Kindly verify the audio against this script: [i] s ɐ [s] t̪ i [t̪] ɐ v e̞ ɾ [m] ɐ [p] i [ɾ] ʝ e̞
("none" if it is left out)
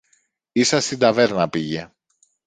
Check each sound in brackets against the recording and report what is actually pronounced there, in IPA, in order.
i, s, d̪, n, p, none

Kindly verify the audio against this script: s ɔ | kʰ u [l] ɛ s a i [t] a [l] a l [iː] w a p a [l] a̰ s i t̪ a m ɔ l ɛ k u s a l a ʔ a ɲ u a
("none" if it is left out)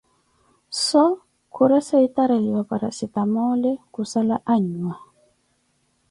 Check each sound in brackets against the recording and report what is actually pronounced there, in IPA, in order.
ɾ, t, ɾ, i, ɾ

